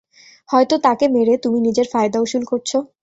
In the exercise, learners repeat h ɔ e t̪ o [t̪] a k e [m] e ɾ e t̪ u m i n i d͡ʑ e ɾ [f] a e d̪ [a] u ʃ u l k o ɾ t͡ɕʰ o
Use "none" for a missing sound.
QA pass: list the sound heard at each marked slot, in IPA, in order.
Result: t̪, m, f, a

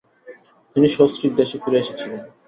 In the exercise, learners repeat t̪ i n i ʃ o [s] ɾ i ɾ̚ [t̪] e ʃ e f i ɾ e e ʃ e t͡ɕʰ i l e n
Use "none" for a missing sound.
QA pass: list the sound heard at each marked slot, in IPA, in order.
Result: s, d̪

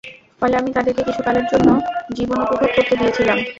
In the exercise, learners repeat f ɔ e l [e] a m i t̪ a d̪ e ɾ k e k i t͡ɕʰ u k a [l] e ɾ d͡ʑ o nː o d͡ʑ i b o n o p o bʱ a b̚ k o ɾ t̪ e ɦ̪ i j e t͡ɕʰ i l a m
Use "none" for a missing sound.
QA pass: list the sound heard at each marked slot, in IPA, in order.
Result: e, l

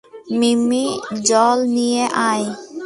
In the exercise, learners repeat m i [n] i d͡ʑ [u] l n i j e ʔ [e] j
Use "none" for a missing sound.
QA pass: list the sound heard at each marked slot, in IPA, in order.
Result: m, ɔ, a

